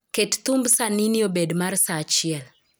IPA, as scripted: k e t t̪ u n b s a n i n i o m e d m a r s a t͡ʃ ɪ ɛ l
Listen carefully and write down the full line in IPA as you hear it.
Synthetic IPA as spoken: k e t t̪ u m b s a n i n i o b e d m a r s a t͡ʃ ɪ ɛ l

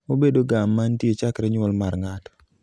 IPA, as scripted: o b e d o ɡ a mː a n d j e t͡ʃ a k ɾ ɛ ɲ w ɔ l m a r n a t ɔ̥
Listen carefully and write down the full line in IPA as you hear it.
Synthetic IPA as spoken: o b e d o ɡ a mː a n t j e t͡ʃ a k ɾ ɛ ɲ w ɔ l m a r ŋ a t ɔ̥

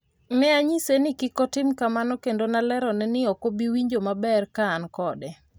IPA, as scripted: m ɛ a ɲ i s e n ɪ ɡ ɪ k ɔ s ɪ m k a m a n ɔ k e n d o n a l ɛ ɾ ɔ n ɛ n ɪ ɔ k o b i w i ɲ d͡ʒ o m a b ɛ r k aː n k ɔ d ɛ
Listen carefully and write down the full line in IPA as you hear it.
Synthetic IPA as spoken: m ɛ a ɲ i s e n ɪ k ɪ k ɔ t ɪ m k a m a n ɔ k e n d o n a l ɛ ɾ ɔ n ɛ n ɪ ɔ k o b i w i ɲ d͡ʒ o m a b ɛ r k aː n k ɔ d ɛ

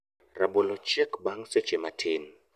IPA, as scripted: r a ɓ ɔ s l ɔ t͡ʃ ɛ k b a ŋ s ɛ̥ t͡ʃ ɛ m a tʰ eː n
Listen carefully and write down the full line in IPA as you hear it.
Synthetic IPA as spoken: r a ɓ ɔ l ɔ t͡ʃ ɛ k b a ŋ s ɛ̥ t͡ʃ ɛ m a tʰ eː n

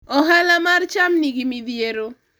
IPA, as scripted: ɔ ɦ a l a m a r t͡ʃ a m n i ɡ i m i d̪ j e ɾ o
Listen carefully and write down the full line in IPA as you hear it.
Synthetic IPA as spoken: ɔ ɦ a l a m a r t͡ʃ a m n i ɡ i m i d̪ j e ɾ o

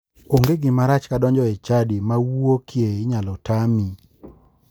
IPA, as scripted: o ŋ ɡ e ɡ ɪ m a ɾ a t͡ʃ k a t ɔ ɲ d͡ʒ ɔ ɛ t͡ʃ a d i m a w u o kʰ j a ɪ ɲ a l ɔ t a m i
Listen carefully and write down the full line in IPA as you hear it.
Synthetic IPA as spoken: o ŋ ɡ e ɡ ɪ m a ɾ a t͡ʃ k a d ɔ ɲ d͡ʒ ɔ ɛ t͡ʃ a d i m a w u o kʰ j e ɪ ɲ a l ɔ t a m i

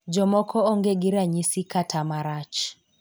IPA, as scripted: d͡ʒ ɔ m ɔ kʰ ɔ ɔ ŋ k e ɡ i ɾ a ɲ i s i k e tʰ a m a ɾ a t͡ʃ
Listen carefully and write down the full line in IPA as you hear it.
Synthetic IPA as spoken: d͡ʒ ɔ m ɔ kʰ ɔ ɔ ŋ ɡ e ɡ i ɾ a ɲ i s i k a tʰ a m a ɾ a t͡ʃ

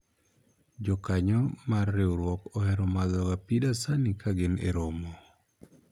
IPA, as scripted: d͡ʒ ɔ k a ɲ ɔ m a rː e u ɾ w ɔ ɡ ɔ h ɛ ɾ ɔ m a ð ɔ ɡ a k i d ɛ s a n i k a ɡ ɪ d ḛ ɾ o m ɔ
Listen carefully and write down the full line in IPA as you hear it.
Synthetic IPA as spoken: d͡ʒ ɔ k a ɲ ɔ m a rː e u ɾ w ɔ k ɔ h ɛ ɾ ɔ m a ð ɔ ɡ a p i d a s a n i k a ɡ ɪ n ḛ ɾ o m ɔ

